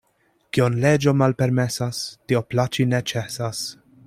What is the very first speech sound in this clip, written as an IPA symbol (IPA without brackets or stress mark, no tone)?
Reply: k